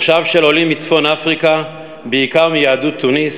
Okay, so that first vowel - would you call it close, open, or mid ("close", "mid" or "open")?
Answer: open